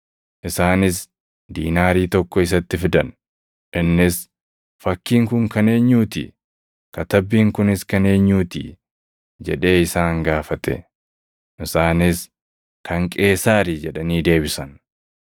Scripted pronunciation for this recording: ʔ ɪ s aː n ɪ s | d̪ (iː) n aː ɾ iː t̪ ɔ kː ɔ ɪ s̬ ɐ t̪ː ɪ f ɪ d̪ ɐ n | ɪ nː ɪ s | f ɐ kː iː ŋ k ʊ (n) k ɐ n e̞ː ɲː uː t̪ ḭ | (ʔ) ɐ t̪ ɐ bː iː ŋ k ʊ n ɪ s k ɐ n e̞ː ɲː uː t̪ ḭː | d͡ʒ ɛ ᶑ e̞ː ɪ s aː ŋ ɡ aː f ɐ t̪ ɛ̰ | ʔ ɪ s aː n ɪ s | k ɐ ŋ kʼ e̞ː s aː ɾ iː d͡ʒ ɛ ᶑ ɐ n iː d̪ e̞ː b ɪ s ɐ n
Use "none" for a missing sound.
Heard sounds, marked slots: iː, ŋ, k

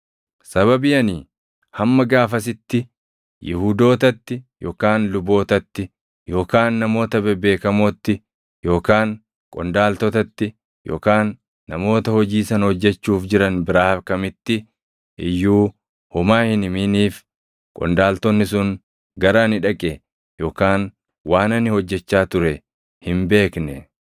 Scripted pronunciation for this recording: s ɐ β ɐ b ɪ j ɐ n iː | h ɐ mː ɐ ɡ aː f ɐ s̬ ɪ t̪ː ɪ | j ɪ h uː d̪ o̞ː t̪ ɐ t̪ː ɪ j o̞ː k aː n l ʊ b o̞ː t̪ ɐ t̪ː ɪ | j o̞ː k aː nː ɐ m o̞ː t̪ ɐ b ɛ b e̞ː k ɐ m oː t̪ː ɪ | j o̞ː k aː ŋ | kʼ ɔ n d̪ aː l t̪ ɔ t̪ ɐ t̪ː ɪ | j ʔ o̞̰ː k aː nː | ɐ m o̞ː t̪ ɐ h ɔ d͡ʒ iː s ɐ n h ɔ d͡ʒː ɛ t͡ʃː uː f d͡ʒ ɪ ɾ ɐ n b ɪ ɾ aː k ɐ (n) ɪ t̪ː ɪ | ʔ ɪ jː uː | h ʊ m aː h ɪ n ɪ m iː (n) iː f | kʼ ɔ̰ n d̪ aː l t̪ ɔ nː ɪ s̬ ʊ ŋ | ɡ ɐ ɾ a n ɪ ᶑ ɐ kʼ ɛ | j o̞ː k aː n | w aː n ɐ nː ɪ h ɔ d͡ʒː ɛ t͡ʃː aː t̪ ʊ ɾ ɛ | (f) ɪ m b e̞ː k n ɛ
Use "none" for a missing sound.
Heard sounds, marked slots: m, n, h

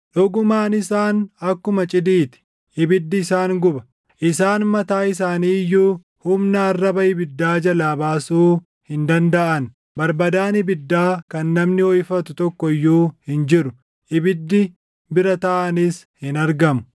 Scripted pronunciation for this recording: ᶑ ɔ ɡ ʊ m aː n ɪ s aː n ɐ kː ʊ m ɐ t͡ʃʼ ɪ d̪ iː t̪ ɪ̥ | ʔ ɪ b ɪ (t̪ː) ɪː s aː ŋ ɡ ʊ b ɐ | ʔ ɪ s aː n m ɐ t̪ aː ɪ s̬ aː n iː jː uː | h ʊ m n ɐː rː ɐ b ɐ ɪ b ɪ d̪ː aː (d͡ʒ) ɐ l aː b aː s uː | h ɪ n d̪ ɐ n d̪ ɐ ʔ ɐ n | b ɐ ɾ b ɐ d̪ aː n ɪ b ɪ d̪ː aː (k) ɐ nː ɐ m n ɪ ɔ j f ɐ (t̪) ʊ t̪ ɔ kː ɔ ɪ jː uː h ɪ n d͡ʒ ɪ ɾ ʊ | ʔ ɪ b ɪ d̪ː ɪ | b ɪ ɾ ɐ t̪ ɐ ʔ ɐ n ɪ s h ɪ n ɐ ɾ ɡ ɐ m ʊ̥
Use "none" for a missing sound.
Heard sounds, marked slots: d̪ː, d͡ʒ, k, t̪

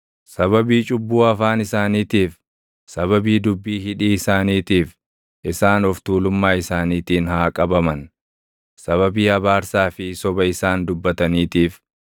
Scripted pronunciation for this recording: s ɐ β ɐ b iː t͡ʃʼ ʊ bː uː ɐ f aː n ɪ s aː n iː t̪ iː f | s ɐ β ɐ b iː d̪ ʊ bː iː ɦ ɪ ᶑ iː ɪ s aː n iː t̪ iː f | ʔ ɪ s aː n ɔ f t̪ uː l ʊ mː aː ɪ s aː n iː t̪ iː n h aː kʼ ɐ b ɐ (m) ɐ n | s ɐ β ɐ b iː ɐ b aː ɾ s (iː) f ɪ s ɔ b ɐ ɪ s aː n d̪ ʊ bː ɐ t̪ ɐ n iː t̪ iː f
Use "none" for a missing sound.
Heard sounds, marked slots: m, aː

